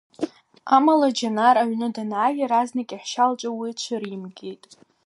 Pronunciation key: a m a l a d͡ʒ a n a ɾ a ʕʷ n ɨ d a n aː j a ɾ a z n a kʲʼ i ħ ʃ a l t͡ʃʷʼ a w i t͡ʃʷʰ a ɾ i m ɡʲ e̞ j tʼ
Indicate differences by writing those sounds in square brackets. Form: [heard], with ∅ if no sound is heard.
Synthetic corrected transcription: a m a l a d͡ʒ a n a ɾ a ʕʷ n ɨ d a n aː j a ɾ a z n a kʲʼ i ħ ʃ a l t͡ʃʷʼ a w i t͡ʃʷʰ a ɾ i m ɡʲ e̞ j tʼ